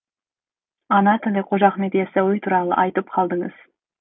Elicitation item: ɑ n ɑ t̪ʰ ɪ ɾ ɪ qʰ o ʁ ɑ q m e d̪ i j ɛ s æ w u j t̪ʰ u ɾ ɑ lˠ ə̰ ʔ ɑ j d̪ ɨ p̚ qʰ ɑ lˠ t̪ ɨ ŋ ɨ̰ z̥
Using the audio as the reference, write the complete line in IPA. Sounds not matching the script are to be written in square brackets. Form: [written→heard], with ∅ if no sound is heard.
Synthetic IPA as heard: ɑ n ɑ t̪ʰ ɪ [ɾ→l] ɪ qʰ o [ʁ→ʒ] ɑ q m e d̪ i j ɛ s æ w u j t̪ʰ u ɾ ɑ lˠ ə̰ ʔ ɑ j [d̪→t̪] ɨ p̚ qʰ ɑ lˠ [t̪→d̪] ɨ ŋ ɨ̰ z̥